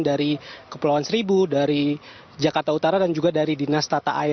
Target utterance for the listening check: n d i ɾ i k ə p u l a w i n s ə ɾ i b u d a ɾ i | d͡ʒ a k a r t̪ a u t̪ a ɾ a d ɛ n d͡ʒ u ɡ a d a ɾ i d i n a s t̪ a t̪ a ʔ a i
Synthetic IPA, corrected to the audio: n d a ɾ i k ə p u l a w a n s ə ɾ i b u d a ɾ i | d͡ʒ a k a r t̪ a u t̪ a ɾ a d a n d͡ʒ u ɡ a d a ɾ i d i n a s t̪ a t̪ a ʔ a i